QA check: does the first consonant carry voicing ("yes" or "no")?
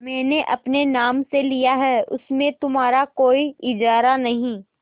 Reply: yes